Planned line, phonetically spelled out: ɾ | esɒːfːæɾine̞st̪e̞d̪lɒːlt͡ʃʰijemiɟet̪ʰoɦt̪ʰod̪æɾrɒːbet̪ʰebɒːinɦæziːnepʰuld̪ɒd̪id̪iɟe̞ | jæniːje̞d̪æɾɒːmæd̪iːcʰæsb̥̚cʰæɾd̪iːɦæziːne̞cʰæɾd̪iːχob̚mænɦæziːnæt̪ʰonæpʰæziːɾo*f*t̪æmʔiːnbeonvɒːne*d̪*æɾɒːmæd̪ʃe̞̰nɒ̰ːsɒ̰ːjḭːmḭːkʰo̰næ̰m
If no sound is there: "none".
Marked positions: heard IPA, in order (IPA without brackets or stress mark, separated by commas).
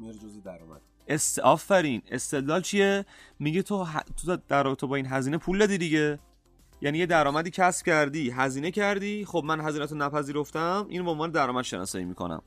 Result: f, d̪